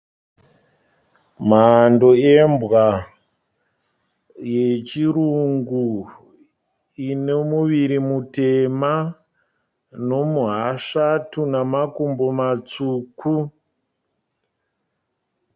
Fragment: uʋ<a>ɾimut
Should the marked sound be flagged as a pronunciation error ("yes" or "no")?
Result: yes